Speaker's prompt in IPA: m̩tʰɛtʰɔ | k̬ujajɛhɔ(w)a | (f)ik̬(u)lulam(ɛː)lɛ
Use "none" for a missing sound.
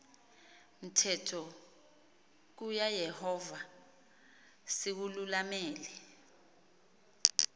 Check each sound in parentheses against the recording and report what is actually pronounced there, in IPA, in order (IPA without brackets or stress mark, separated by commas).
v, s, u, ɛː